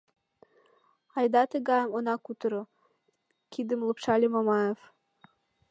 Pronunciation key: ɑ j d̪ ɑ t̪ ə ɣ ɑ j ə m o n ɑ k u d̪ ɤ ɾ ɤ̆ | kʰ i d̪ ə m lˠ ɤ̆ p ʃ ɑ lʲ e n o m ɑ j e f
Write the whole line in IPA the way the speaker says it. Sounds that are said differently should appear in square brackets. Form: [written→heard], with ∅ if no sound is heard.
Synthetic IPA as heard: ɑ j d̪ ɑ t̪ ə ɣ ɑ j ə m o n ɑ k u [d̪→t̪] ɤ ɾ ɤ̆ | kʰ i d̪ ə m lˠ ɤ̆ p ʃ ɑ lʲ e [n→m] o m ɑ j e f